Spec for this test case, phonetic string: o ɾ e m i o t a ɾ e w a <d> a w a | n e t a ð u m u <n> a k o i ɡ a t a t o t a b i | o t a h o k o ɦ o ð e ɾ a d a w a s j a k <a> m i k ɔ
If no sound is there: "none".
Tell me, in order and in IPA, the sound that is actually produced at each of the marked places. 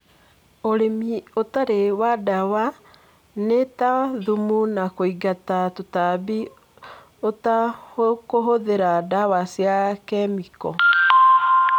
d, n, ɛ

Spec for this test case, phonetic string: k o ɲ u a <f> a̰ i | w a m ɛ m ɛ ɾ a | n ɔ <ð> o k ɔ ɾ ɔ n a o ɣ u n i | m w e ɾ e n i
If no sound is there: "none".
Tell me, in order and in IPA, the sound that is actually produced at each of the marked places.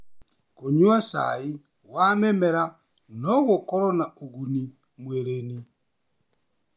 s, ɣ

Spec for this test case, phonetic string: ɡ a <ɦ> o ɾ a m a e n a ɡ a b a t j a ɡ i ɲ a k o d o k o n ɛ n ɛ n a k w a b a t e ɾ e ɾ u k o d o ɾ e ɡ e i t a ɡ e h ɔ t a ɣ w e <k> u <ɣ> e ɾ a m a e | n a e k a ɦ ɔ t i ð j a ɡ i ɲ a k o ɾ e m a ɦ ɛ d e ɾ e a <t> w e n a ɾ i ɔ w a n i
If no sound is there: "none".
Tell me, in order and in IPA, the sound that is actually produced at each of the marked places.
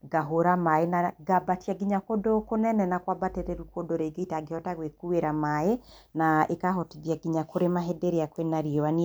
ɦ, k, none, k

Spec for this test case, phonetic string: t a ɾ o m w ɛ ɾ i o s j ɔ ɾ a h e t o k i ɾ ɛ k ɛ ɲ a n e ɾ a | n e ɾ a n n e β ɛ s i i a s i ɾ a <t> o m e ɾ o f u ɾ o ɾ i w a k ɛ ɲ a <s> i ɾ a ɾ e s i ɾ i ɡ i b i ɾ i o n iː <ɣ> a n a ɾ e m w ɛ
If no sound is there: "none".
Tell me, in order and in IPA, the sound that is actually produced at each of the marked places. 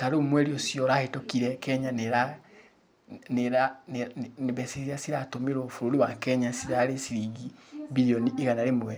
t, s, ɣ

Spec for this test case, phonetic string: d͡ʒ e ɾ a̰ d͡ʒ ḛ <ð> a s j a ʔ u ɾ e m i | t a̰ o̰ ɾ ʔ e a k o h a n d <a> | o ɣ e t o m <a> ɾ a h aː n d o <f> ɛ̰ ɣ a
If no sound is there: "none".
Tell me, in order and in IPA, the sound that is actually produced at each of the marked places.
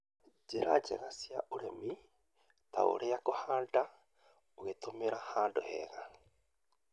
ɣ, a, e, h

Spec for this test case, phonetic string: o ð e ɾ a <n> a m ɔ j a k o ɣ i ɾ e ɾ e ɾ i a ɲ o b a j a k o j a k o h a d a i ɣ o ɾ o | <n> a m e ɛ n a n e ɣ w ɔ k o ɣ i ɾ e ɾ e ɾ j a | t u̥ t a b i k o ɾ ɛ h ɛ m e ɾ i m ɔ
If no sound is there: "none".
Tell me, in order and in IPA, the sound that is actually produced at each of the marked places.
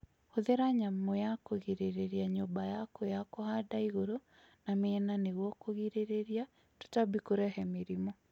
ɲ, n

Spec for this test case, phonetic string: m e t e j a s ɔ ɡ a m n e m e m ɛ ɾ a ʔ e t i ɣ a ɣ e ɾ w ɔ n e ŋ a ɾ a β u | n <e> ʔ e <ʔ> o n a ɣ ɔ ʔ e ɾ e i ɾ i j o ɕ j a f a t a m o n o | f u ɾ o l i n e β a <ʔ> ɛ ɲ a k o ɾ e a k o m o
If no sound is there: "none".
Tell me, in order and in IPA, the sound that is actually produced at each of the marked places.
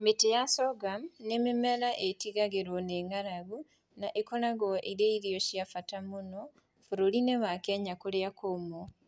a, k, k

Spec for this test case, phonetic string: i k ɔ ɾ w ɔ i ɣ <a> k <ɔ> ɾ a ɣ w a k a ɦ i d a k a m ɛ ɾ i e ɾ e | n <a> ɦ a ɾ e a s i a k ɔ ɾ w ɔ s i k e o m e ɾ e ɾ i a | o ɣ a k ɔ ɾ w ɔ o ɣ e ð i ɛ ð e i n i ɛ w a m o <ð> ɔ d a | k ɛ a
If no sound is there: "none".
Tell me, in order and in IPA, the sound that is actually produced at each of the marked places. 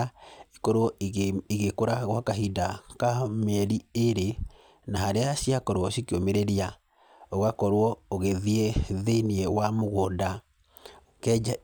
e, o, a, ɣ

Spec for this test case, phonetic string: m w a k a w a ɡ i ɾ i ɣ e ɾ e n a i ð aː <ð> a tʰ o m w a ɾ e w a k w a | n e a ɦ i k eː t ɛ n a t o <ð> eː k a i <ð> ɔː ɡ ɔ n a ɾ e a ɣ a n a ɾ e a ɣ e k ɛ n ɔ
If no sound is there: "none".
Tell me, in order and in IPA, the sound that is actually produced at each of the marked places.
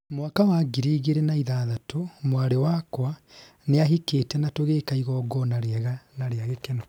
ð, ɣ, ɣ

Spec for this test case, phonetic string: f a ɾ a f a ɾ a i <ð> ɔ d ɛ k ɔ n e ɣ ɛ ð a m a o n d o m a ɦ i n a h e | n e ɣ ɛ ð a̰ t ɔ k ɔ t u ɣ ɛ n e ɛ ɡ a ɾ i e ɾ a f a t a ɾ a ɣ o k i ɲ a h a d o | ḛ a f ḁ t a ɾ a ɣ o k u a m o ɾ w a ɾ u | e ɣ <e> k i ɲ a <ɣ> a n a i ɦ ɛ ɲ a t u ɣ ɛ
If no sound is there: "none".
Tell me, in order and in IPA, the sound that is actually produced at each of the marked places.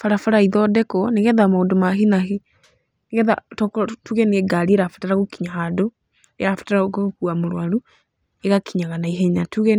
ð, a, ɣ

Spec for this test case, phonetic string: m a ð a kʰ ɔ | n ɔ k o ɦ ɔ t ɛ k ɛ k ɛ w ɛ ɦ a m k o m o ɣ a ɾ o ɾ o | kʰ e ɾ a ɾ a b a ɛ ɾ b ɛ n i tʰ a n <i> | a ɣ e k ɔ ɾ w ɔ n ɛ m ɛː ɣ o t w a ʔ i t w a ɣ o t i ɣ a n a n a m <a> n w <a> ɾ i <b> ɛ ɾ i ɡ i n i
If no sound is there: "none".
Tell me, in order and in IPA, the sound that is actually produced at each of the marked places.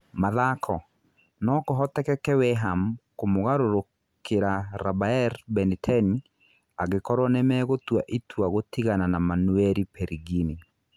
i, a, ɛ, p

